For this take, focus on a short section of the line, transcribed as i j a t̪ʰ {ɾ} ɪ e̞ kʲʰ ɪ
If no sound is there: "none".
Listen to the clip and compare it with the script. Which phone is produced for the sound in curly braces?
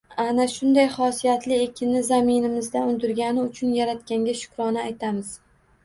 l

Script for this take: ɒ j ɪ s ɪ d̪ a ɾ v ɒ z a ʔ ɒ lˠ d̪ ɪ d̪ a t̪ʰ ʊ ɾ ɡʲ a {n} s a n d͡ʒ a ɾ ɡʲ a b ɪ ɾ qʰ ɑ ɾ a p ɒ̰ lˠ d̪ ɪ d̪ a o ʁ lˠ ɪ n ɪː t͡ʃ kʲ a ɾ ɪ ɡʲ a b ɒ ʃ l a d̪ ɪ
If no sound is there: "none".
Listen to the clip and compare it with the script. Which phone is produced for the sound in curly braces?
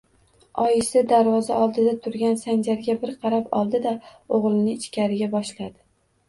n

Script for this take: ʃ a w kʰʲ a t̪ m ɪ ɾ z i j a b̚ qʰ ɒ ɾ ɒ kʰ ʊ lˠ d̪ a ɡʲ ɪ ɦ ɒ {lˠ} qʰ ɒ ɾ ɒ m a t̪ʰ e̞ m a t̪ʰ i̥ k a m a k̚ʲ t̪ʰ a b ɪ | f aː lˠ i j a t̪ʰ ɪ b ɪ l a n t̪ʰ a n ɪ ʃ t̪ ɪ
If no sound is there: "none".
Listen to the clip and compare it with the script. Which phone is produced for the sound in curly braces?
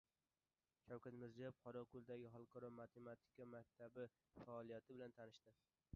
lˠ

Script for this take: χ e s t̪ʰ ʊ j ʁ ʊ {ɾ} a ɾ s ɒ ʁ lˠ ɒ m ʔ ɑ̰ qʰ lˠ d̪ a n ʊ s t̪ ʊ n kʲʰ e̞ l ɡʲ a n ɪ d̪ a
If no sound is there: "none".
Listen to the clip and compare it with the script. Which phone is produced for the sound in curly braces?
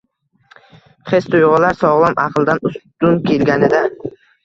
l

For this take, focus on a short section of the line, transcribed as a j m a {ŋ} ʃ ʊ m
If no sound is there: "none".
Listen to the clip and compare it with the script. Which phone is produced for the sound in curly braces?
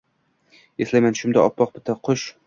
n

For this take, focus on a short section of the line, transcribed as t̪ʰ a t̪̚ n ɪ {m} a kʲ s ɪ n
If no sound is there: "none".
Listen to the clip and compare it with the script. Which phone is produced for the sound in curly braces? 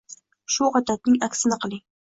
ŋ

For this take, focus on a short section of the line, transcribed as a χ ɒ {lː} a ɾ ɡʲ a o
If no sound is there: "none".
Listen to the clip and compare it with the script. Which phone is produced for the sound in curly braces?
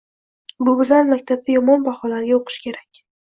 l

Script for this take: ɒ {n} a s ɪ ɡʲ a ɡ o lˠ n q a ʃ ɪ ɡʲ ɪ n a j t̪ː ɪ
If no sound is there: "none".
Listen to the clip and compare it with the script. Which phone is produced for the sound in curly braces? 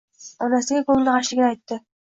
n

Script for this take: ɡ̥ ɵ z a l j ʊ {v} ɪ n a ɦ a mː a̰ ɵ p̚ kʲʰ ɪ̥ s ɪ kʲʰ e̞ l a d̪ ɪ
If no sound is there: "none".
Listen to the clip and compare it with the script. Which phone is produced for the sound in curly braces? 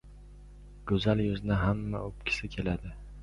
z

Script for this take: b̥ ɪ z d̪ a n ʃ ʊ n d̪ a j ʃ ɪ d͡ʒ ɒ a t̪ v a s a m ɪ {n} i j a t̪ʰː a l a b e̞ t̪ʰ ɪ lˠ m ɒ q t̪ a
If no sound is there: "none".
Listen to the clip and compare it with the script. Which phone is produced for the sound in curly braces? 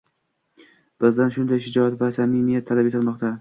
m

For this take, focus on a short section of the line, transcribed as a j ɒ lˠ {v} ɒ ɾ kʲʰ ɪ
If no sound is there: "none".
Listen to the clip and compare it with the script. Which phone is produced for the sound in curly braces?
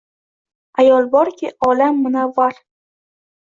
b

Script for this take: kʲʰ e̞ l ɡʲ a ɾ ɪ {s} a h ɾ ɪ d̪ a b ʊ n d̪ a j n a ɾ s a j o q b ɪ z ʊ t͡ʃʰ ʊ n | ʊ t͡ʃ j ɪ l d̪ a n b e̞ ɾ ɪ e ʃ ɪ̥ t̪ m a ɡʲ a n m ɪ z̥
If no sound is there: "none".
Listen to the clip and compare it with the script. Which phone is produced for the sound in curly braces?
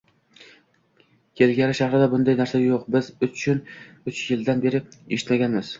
ʃ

